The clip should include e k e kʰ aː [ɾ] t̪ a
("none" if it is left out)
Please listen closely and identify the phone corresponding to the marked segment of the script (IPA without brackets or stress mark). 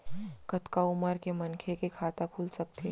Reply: none